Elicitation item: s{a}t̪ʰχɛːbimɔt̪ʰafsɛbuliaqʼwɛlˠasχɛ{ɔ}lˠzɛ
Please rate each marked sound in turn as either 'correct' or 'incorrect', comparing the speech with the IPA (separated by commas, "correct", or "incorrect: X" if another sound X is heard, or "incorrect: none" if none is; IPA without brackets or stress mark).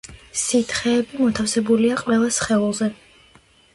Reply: incorrect: i, incorrect: u